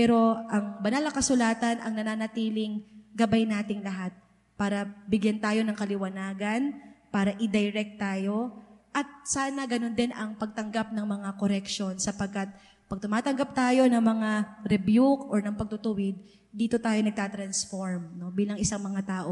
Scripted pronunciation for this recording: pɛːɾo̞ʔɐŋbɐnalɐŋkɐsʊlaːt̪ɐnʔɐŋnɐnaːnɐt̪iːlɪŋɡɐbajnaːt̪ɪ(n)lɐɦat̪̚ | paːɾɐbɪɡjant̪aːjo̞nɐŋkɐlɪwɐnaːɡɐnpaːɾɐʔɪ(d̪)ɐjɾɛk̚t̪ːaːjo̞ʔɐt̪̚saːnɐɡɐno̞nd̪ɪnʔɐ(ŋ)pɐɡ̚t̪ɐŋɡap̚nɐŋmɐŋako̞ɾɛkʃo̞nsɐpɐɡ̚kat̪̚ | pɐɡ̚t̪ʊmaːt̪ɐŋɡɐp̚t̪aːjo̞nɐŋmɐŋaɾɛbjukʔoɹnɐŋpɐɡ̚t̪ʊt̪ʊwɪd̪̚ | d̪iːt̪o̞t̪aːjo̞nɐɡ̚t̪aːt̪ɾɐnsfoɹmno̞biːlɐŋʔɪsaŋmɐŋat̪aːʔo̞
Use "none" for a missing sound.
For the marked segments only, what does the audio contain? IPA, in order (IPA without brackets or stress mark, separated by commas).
ŋ, d̪, ŋ